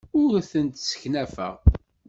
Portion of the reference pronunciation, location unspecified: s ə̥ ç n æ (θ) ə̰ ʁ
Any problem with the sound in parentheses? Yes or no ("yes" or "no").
yes